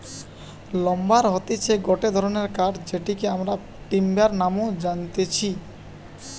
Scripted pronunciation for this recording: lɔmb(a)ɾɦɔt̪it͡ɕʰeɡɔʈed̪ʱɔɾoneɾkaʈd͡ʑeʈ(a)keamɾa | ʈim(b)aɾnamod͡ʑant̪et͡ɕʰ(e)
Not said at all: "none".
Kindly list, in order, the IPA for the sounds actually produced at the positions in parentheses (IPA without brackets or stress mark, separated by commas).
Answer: a, i, b, i